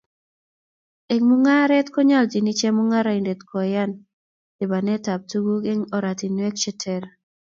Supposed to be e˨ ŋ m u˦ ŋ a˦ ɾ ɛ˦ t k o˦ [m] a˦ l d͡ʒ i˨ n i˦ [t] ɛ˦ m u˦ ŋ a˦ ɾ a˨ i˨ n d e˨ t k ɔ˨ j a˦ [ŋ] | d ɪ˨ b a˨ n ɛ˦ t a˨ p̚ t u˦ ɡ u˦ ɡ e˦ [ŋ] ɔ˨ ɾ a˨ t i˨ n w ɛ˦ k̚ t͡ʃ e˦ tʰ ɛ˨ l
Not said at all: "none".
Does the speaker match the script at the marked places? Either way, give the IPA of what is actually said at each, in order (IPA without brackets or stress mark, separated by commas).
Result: ɲ, t͡ʃ, n, ŋ